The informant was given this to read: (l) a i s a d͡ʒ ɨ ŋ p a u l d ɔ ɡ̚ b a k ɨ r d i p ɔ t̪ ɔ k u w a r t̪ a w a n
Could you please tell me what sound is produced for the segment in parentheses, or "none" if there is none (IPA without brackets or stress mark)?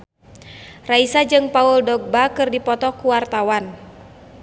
r